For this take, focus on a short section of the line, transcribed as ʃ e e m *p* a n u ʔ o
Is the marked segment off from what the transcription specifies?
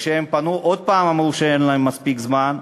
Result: no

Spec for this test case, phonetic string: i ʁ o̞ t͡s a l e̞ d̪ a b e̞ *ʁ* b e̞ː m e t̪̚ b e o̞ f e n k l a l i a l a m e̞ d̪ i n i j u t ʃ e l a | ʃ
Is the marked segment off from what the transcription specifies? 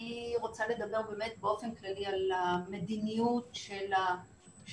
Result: no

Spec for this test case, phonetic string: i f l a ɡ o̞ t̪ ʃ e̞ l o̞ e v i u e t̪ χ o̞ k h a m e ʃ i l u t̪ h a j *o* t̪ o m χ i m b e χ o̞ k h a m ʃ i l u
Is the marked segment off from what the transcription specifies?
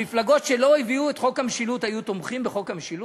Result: yes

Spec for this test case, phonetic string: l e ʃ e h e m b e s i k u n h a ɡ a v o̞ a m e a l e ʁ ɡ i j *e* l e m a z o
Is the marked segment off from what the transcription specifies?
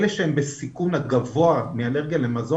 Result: yes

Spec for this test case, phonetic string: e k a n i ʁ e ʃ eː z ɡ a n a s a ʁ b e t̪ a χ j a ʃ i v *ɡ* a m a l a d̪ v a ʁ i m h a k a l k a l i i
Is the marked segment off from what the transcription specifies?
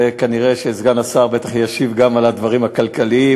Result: no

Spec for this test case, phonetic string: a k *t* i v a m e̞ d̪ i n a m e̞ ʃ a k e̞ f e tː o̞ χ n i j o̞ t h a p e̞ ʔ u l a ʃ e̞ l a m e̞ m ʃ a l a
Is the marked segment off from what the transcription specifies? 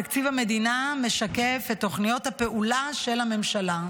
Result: yes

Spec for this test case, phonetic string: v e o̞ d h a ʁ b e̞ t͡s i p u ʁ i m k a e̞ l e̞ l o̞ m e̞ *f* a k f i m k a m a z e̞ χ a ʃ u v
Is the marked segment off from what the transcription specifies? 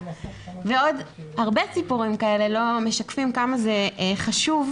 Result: yes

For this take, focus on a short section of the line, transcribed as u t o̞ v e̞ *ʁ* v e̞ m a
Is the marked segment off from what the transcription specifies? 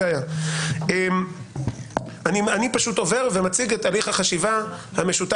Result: no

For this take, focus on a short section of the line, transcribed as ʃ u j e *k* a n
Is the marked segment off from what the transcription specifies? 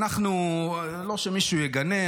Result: yes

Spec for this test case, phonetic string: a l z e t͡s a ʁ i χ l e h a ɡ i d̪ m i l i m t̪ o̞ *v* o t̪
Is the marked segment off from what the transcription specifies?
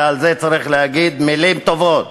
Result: no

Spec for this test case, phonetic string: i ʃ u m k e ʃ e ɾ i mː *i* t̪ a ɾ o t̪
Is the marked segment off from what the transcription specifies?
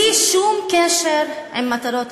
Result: yes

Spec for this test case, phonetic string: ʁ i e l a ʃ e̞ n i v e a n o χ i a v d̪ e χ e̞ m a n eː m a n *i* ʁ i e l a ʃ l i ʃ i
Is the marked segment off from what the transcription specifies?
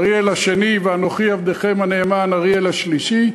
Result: yes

